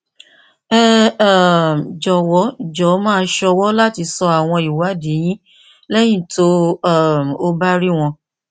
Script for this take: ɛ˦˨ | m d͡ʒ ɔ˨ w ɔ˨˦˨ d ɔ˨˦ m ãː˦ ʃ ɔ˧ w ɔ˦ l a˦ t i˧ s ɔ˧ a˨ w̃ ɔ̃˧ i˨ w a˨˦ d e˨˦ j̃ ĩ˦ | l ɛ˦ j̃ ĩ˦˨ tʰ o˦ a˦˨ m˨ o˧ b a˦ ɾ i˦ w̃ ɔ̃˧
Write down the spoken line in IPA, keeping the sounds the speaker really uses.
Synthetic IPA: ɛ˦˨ | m d͡ʒ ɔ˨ w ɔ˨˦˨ d͡ʒ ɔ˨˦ m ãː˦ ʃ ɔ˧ w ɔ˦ l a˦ t i˧ s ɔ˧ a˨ w̃ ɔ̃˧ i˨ w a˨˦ d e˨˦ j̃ ĩ˦ | l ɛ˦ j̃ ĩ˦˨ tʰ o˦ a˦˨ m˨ o˧ b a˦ ɾ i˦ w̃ ɔ̃˧